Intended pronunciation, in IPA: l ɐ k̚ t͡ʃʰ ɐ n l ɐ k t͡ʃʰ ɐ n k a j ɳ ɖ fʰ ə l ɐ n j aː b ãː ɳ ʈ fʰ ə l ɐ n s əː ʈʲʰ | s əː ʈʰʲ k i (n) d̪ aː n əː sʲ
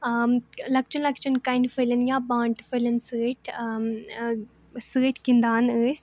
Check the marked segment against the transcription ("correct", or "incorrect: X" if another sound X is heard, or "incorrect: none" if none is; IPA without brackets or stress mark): correct